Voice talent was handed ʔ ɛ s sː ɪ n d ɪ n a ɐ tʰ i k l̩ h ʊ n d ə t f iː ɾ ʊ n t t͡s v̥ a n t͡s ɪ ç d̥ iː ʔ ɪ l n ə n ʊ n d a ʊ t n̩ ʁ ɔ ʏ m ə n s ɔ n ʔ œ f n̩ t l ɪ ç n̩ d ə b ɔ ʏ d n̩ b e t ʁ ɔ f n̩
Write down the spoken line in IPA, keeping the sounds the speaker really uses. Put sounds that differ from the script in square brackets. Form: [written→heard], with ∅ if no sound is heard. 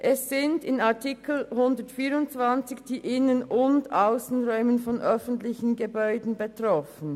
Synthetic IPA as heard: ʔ ɛ s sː ɪ n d ɪ n a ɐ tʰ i k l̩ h ʊ n d ə t f iː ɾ ʊ n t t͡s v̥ a n t͡s ɪ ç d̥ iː ʔ ɪ [l→∅] n ə n ʊ n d a ʊ [t→s] n̩ ʁ ɔ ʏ m ə n [s→f] ɔ n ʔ œ f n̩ t l ɪ ç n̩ [d→ɡ] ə b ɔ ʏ d n̩ b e t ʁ ɔ f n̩